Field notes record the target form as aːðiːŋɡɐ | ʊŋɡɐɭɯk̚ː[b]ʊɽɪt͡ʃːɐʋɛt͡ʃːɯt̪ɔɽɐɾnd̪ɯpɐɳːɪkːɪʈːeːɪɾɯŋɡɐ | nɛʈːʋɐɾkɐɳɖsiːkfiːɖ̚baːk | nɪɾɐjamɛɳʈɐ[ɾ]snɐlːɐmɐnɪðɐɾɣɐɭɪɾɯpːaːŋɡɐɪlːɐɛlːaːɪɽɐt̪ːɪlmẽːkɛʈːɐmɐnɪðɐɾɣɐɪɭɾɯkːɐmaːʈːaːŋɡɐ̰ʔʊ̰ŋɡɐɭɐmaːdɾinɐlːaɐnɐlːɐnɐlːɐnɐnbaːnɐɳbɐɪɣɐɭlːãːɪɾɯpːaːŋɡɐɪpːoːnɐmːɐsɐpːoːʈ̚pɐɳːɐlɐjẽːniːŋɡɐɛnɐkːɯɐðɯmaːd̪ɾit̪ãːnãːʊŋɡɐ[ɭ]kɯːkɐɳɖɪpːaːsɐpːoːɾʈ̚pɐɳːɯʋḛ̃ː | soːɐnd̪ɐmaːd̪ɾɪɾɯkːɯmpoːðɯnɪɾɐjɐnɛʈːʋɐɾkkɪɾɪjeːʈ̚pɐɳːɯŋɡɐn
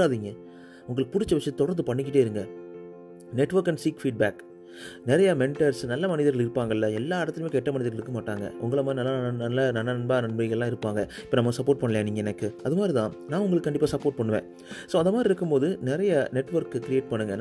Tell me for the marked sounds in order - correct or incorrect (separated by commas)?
incorrect, correct, correct